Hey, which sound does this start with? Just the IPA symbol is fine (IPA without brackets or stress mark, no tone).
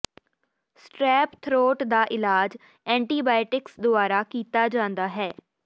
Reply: s